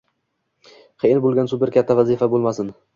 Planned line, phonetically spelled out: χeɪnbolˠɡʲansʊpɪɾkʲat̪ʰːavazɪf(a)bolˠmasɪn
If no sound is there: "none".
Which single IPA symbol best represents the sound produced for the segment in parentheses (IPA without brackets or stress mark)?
a